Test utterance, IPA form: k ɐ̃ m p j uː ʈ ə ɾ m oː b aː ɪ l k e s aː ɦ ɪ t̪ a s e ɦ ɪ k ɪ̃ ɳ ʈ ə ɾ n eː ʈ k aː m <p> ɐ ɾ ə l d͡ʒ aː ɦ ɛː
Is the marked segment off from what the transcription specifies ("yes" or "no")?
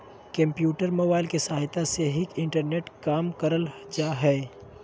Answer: yes